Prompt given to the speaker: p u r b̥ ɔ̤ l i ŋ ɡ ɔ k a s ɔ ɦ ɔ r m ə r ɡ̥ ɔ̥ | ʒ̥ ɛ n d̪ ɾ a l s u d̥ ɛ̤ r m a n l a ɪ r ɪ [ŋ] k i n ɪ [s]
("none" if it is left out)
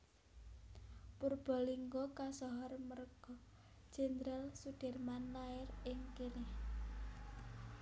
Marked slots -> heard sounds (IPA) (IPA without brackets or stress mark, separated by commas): ŋ, h